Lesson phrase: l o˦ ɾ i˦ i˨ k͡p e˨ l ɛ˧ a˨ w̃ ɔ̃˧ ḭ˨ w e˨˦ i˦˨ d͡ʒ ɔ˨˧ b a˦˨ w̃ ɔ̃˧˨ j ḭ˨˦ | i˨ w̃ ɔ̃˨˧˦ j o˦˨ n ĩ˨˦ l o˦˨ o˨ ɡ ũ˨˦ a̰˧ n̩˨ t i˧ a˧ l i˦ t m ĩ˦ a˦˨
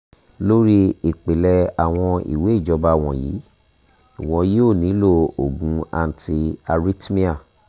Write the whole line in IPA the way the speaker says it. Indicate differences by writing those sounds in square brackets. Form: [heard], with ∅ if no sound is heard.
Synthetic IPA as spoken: l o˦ ɾ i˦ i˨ k͡p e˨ l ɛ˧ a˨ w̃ ɔ̃˧ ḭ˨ w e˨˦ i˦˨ d͡ʒ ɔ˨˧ b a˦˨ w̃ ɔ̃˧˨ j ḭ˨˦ | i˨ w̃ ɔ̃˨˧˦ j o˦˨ n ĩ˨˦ l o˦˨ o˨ ɡ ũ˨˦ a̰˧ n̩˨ t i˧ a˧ [ɾ] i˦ t m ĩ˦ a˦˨

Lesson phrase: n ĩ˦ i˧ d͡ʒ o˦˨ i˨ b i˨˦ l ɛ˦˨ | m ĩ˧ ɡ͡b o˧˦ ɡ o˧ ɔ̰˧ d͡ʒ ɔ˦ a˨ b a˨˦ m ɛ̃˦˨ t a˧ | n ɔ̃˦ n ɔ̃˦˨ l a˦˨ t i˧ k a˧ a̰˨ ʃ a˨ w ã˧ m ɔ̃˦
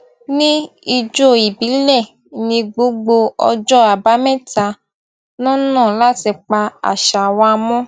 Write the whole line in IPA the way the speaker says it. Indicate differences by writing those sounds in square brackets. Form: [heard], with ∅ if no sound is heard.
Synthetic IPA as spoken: n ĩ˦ i˧ d͡ʒ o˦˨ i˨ b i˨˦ l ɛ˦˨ | [n] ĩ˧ ɡ͡b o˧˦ [ɡ͡b] o˧ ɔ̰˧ d͡ʒ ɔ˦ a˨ b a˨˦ m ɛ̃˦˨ t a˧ | n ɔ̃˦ n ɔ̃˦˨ l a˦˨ t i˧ [k͡p] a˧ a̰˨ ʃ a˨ w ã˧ m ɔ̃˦

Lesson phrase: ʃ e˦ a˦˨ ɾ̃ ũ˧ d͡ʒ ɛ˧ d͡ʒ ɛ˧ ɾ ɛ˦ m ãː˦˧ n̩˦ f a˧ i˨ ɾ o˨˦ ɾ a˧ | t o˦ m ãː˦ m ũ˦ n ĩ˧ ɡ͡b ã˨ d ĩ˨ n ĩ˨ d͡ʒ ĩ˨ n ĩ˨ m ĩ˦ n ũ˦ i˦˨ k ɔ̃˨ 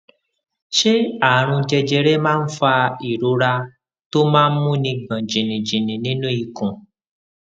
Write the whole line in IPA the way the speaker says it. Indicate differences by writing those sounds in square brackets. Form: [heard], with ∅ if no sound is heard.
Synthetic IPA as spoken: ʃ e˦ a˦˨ ɾ̃ ũ˧ d͡ʒ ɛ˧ d͡ʒ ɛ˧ ɾ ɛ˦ m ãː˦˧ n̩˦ f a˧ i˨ ɾ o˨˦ ɾ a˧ | t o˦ m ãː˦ m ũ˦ n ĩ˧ ɡ͡b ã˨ [d͡ʒ] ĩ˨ n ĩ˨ d͡ʒ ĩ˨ n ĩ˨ [n] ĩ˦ n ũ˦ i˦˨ k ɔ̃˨

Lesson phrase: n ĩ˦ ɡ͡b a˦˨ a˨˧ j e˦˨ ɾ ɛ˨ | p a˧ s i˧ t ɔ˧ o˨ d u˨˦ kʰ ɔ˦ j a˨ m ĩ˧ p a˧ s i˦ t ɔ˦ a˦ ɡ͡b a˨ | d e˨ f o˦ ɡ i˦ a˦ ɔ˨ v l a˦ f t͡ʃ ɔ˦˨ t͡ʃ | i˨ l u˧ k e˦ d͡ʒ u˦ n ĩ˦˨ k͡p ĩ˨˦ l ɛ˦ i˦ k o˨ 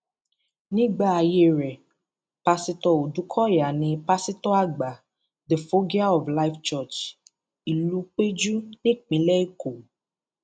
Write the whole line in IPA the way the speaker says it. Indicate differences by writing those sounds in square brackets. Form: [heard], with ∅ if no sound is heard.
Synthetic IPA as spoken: n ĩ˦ ɡ͡b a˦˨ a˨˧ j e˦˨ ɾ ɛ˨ | p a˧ s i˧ t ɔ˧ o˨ d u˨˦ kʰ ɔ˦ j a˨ [n] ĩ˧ p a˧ s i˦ t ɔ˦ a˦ ɡ͡b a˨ | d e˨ f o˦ ɡ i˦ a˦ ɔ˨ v l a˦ f t͡ʃ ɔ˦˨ t͡ʃ | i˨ l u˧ [k͡p] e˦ d͡ʒ u˦ n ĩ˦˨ k͡p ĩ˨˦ l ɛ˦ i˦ k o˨

